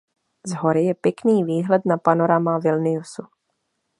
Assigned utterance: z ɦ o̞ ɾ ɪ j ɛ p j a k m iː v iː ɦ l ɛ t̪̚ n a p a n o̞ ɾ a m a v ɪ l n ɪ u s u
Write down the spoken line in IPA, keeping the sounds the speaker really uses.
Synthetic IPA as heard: z ɦ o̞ ɾ ɪ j ɛ p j ɛ k n iː v iː ɦ l ɛ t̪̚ n a p a n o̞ ɾ a m a v ɪ l n ɪ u s u